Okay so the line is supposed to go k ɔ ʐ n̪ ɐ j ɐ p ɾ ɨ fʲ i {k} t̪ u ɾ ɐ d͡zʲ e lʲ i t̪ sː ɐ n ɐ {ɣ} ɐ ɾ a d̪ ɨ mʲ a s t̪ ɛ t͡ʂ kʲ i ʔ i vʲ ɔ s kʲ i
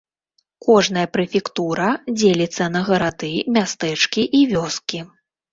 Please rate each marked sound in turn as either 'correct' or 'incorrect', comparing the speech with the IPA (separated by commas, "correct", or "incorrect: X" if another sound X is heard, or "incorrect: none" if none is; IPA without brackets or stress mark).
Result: correct, correct